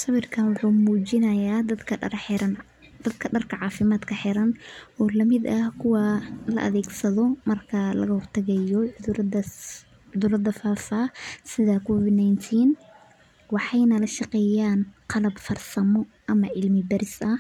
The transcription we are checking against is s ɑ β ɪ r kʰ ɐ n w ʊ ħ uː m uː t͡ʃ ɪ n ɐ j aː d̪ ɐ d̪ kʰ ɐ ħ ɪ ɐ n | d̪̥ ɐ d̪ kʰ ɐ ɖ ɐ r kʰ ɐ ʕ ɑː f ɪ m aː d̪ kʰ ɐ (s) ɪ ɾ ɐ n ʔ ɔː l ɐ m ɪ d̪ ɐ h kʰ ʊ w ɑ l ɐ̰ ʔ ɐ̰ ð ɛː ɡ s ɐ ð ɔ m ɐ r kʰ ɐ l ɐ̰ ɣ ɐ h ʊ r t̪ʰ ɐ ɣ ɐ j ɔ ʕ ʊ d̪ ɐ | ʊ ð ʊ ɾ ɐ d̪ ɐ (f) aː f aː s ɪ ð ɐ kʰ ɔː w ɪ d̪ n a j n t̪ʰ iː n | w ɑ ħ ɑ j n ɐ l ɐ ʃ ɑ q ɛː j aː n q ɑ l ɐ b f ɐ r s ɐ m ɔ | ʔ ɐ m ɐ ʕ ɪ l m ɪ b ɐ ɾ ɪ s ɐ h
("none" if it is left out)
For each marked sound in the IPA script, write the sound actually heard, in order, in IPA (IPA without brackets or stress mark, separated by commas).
ħ, f